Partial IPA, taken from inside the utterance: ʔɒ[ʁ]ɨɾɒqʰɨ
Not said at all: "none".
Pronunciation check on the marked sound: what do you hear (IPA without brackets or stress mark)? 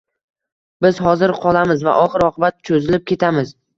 χ